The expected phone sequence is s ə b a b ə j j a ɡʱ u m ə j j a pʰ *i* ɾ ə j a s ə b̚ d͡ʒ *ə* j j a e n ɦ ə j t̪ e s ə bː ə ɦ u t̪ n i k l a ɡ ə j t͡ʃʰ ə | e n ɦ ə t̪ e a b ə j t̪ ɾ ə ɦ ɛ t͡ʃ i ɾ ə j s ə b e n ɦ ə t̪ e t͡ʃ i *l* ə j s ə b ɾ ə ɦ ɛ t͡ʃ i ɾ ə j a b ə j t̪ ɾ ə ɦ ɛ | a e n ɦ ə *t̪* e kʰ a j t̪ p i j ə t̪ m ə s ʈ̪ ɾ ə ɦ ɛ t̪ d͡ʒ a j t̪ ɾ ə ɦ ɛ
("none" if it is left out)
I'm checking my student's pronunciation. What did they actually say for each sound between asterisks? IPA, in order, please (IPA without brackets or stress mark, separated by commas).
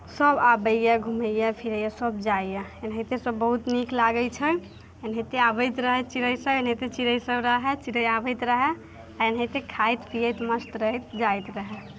i, a, ɾ, t̪